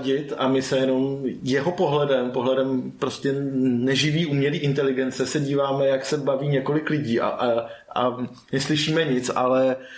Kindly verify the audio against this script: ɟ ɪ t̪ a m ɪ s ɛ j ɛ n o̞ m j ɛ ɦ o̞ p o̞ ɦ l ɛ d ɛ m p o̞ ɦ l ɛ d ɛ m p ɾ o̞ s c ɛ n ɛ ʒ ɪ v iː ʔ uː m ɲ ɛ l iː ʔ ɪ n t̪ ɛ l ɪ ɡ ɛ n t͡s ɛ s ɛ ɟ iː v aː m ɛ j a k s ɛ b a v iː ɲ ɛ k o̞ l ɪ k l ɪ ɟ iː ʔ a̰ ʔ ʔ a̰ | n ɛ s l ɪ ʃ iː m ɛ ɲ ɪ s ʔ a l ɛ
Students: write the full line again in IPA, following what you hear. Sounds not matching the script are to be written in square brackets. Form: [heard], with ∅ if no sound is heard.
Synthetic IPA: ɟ ɪ t̪ a m ɪ s ɛ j ɛ n o̞ m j ɛ ɦ o̞ p o̞ ɦ l ɛ d ɛ m p o̞ ɦ l ɛ d ɛ m p ɾ o̞ s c ɛ n ɛ ʒ ɪ v iː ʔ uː m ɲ ɛ l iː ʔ ɪ n t̪ ɛ l ɪ ɡ ɛ n t͡s ɛ s ɛ ɟ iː v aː m ɛ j a k s ɛ b a v iː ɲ ɛ k o̞ l ɪ k l ɪ ɟ iː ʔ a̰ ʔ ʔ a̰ | n ɛ s l ɪ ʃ iː m ɛ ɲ ɪ [t͡s] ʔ a l ɛ